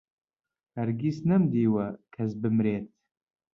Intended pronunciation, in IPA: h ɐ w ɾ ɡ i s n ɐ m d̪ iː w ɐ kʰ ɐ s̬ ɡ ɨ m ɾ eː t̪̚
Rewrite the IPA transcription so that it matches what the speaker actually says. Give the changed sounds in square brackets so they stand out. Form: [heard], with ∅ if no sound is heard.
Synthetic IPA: h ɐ [∅] ɾ ɡ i s n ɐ m d̪ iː w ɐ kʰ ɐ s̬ [b] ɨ m ɾ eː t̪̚